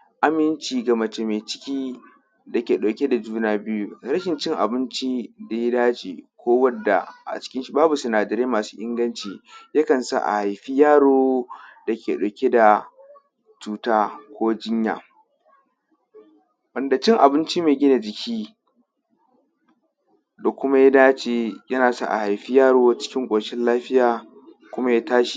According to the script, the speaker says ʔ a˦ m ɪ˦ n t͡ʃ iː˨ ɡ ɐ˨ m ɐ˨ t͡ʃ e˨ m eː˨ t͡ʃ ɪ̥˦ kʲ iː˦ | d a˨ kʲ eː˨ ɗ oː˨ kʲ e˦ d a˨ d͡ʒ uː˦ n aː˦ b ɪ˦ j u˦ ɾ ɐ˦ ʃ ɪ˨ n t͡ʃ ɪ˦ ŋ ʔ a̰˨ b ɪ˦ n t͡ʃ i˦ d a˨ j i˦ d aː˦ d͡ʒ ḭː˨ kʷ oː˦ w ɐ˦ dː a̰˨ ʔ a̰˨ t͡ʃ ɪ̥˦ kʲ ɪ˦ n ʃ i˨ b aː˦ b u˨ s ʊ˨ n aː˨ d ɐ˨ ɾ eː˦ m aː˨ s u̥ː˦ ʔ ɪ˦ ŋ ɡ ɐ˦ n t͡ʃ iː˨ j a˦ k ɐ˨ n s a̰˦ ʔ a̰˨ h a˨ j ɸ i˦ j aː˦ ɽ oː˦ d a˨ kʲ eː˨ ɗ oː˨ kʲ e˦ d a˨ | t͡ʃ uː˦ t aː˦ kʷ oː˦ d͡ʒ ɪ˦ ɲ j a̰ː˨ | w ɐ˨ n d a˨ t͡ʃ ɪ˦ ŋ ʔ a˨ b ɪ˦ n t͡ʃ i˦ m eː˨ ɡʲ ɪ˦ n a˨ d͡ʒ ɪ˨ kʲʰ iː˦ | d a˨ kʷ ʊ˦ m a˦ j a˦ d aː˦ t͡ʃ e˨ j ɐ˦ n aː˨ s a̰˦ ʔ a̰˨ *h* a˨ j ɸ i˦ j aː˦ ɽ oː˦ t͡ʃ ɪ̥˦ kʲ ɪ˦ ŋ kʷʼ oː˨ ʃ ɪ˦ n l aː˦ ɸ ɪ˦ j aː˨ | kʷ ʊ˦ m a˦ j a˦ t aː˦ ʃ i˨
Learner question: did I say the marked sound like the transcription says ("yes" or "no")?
yes